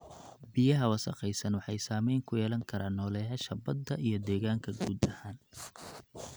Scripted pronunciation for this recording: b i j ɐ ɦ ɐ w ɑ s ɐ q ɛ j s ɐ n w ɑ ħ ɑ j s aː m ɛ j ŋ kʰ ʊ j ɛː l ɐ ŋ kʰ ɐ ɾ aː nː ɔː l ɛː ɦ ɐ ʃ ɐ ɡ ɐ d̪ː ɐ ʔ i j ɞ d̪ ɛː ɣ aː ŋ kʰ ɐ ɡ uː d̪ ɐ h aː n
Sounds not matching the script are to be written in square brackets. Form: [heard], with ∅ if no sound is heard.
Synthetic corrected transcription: b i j ɐ ɦ ɐ w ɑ s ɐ q ɛ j s ɐ n w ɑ ħ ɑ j s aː m ɛ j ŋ kʰ ʊ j ɛː l ɐ ŋ kʰ ɐ ɾ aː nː ɔː l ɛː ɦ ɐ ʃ ɐ [b] ɐ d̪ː ɐ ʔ i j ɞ d̪ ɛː ɣ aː ŋ kʰ ɐ ɡ uː d̪ ɐ h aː n